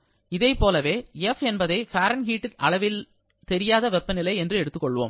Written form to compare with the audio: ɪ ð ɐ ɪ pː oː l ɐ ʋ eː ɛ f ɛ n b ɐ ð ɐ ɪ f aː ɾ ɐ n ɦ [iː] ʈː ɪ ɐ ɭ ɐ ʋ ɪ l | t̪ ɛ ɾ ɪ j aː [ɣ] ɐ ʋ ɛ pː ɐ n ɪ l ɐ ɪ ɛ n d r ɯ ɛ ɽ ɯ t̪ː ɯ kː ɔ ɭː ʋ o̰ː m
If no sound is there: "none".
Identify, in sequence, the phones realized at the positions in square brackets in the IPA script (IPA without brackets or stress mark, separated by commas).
iː, ð